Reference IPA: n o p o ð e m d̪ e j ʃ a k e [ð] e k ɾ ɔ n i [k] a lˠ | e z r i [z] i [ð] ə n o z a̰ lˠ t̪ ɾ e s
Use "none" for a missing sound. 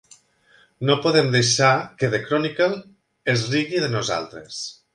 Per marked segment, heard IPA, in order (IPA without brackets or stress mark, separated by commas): ð, k, ɣ, ð